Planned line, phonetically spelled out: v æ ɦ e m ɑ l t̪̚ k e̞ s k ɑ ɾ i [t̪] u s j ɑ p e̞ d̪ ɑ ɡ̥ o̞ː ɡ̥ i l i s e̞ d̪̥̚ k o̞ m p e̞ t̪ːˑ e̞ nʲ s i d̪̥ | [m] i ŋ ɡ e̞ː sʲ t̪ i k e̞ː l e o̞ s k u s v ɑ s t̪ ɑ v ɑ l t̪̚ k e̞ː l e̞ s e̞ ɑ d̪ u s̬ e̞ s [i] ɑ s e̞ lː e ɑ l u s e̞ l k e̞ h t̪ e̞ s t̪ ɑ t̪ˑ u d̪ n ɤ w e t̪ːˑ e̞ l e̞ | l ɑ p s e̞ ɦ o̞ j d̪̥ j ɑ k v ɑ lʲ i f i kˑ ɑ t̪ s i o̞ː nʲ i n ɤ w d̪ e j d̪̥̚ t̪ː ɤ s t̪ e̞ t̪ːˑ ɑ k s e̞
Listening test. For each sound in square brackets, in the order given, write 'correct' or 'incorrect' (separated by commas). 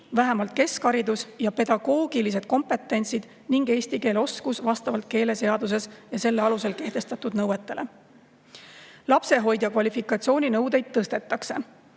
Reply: incorrect, incorrect, incorrect